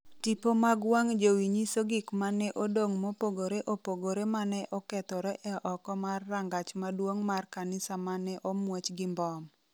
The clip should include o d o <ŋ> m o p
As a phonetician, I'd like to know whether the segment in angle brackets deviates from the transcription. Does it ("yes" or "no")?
no